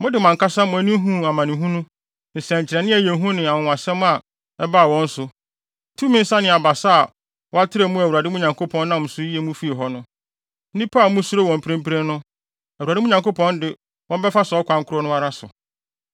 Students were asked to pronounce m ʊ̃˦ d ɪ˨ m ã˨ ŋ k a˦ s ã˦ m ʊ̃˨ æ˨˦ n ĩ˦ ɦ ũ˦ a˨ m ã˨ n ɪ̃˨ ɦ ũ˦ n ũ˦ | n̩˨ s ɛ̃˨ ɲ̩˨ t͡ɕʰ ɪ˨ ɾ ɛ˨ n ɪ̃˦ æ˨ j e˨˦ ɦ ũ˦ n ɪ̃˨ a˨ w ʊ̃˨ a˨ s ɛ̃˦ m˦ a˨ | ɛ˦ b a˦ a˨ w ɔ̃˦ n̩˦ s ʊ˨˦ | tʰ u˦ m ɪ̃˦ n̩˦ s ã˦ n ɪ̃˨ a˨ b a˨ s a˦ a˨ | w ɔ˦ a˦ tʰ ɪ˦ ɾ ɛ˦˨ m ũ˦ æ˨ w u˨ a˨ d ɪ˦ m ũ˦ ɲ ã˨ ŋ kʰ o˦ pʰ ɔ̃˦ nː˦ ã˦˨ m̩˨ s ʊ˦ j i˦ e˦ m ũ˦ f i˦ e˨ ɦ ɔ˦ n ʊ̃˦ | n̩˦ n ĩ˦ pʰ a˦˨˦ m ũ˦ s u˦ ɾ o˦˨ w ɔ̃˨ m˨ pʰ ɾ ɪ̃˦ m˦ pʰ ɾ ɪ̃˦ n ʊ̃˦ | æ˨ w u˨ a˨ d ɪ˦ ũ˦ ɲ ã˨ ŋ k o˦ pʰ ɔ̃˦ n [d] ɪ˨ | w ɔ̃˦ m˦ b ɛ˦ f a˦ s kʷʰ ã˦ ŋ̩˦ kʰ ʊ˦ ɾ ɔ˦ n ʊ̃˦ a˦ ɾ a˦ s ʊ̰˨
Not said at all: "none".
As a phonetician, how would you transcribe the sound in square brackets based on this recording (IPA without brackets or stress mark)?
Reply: d